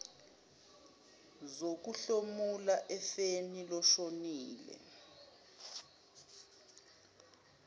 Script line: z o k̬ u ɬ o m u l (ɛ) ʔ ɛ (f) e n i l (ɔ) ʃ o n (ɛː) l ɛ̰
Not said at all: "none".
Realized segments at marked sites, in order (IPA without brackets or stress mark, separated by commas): a, f, ɔ, iː